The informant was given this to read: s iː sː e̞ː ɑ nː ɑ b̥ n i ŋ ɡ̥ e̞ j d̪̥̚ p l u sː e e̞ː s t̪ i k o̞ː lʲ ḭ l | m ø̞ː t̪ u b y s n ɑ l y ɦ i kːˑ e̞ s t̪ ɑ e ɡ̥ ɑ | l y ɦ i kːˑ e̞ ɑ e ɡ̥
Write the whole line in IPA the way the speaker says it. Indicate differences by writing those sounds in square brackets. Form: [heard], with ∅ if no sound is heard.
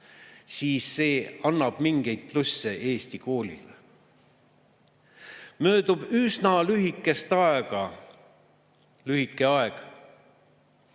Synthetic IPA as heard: s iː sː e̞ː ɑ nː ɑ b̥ [m] i ŋ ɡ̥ e̞ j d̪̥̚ p l u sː e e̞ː s t̪ i k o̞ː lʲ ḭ l | m ø̞ː [d̪] u b y s n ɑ l y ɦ i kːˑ e̞ s t̪ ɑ e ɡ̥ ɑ | l y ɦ i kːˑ e̞ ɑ e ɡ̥

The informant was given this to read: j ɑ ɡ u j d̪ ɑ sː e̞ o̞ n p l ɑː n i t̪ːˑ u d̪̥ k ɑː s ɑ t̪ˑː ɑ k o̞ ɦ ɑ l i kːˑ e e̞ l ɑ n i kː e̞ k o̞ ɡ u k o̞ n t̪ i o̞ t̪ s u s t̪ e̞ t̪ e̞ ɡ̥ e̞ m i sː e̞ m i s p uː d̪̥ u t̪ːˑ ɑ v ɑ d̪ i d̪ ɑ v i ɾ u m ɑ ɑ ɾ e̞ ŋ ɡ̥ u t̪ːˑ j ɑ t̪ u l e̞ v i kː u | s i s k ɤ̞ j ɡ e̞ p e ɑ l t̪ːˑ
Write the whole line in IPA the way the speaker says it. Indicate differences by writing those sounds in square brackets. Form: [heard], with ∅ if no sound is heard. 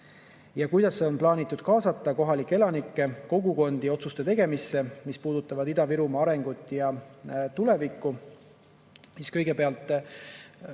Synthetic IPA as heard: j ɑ [k] u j d̪ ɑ sː e̞ o̞ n p l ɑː n i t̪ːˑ u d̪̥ k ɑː s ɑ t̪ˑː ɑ k o̞ ɦ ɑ l i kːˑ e e̞ l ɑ n i kː e̞ k o̞ ɡ u k o̞ n [d̪] i o̞ t̪ s u s t̪ e̞ t̪ e̞ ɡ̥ e̞ m i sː e̞ m i s p uː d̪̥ u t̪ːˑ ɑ v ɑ d̪ i d̪ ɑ v i ɾ u m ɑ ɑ ɾ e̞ ŋ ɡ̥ u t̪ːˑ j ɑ t̪ u l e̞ v i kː u | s i s k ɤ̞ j ɡ e̞ p e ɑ l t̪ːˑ

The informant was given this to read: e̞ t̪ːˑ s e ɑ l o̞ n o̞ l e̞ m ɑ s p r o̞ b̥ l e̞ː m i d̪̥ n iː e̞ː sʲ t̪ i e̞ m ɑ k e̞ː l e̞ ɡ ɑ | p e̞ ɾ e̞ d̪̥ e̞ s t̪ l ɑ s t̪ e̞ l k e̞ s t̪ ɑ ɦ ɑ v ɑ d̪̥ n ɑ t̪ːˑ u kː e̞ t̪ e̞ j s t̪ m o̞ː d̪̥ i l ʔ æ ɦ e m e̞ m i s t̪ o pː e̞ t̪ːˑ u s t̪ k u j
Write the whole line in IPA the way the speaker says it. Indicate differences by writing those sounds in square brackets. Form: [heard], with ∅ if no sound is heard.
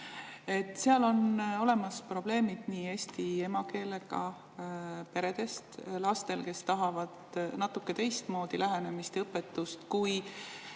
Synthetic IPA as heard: e̞ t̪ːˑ s e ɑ l o̞ n o̞ l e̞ m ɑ s p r o̞ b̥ l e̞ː m i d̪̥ n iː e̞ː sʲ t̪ i e̞ m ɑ k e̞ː l e̞ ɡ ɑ | p e̞ ɾ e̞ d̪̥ e̞ s t̪ l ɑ s t̪ e̞ l k e̞ s t̪ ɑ ɦ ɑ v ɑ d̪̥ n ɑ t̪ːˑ u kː e̞ t̪ e̞ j s t̪ m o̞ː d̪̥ i l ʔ æ ɦ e [n] e̞ m i s t̪ [ɤ] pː e̞ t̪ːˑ u s t̪ k u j

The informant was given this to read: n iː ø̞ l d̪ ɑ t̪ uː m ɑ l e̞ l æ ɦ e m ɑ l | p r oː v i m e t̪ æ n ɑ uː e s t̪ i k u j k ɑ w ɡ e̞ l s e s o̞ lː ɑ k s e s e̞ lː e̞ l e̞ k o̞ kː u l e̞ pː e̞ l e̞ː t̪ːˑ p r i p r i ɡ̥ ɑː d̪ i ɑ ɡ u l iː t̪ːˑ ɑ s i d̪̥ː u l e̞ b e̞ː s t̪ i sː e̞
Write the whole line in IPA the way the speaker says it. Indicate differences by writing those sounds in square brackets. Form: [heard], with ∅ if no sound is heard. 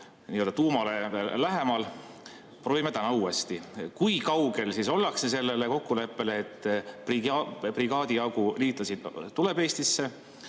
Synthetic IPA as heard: n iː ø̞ l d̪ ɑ t̪ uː m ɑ l e̞ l æ ɦ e m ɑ l | p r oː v i m e t̪ æ n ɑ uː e s t̪ i k u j k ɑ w ɡ e̞ l s [i] s o̞ lː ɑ k s e s e̞ lː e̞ l e̞ k o̞ kː u l e̞ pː e̞ l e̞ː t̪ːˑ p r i p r i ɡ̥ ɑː d̪ i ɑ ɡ u l iː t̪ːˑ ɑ s i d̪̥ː u l e̞ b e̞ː s t̪ i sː e̞

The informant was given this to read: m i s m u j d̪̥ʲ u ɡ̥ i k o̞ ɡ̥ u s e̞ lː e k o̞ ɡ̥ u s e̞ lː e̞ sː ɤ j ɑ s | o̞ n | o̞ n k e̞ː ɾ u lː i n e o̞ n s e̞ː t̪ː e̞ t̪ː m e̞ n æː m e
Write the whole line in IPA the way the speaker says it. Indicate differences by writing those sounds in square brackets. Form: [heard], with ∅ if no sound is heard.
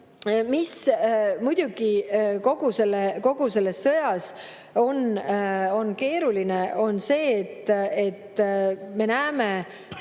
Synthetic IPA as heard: m i s m u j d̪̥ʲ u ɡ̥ i k o̞ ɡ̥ u s e̞ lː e k o̞ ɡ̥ u s e̞ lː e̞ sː ɤ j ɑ s | o̞ n | o̞ n k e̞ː ɾ u [l] i n e o̞ n s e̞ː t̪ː e̞ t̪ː m e̞ n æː m e

